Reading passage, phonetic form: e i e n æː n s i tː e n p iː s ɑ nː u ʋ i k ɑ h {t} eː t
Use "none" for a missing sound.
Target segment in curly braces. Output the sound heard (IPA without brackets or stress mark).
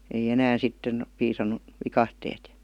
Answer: t